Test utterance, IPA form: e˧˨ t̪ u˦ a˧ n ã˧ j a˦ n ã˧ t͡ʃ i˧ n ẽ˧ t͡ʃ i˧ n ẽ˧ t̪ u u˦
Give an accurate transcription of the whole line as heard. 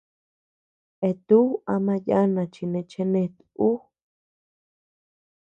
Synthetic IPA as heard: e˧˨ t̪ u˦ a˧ m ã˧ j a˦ n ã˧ t͡ʃ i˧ n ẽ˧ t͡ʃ e˧ n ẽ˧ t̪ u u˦